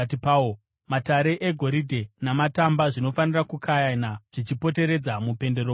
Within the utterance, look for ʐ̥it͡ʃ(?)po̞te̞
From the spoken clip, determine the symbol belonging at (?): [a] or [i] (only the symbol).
i